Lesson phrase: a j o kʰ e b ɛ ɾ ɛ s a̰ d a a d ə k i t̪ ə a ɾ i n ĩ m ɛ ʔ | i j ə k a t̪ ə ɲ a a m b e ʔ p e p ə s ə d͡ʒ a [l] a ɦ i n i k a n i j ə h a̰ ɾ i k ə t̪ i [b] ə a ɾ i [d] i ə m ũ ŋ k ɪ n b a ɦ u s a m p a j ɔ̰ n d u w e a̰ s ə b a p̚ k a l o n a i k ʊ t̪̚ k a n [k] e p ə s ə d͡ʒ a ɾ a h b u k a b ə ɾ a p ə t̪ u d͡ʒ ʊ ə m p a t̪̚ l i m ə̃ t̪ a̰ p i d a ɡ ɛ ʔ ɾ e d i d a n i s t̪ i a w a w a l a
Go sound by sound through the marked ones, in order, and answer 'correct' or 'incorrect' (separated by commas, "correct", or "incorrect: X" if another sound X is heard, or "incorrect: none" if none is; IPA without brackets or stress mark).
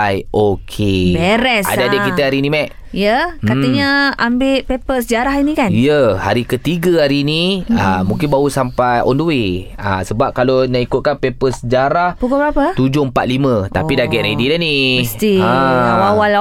incorrect: ɾ, incorrect: ɡ, incorrect: n, incorrect: p